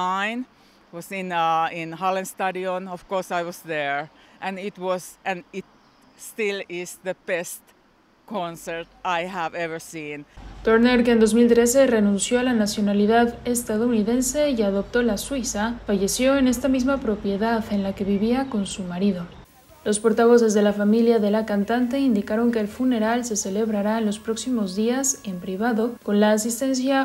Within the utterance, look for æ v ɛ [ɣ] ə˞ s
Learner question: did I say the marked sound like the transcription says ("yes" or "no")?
no